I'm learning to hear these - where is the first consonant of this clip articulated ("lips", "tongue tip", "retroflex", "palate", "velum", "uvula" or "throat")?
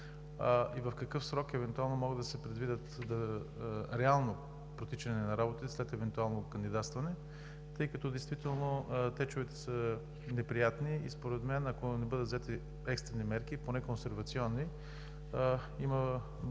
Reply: lips